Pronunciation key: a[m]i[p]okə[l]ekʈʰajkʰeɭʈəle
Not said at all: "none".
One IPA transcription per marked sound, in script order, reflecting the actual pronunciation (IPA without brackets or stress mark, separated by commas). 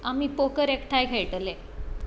m, p, ɾ